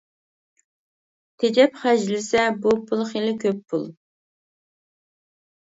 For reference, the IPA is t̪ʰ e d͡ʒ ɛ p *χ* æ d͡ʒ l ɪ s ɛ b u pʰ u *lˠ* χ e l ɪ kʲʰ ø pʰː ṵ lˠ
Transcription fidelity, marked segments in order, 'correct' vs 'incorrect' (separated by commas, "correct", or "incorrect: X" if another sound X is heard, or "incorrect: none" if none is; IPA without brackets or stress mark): correct, correct